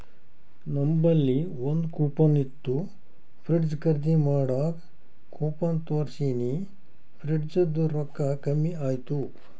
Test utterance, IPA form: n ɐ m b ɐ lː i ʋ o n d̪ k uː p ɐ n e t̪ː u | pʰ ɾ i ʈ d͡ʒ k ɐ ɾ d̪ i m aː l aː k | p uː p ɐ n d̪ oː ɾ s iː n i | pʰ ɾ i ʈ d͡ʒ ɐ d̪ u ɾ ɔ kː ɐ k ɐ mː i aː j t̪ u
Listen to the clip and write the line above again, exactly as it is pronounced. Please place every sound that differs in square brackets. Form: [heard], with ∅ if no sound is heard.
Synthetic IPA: n ɐ m b ɐ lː i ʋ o n d̪ k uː p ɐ n [i] t̪ː u | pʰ ɾ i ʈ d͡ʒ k ɐ ɾ d̪ i m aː [ɽ] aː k | [k] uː p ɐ n [t̪] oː ɾ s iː n i | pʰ ɾ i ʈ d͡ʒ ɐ d̪ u ɾ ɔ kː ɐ k ɐ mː i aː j t̪ u